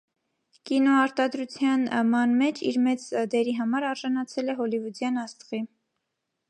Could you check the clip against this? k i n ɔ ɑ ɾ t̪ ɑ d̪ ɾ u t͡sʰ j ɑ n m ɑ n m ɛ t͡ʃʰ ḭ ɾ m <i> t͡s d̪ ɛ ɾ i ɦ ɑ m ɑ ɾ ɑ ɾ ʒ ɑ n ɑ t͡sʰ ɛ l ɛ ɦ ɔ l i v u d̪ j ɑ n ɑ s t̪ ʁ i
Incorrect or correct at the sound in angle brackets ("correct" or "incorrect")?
incorrect